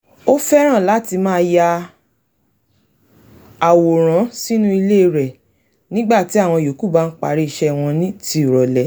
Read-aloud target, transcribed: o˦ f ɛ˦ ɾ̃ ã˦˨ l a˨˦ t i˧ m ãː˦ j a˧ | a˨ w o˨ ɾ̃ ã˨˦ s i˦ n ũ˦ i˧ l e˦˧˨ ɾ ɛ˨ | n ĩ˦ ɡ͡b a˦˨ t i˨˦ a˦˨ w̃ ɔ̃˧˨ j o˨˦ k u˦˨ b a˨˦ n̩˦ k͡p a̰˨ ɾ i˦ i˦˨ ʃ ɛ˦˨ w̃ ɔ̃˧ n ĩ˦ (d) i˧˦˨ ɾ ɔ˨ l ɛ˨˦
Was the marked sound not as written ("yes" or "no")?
yes